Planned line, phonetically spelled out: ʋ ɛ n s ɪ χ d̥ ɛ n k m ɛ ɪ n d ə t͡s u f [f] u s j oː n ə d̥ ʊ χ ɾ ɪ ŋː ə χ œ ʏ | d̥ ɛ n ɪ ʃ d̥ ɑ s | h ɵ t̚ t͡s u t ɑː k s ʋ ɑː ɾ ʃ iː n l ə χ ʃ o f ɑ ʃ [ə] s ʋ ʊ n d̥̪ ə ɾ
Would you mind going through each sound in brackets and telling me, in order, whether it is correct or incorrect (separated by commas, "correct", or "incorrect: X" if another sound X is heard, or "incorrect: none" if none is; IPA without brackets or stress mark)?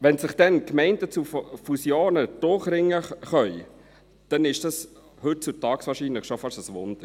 correct, correct